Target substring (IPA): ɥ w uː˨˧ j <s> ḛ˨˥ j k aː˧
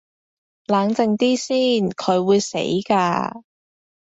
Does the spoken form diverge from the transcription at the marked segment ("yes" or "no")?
no